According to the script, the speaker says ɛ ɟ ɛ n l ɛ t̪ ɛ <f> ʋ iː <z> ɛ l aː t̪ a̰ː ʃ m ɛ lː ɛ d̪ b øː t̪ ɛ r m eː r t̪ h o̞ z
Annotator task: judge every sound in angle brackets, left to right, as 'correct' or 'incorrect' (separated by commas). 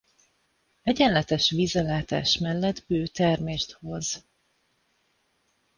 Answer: incorrect, correct